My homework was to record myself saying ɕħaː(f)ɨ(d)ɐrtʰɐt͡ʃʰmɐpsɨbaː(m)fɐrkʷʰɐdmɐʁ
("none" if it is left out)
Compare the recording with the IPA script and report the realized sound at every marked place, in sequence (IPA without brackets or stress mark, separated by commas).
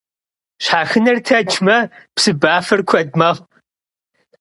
x, n, none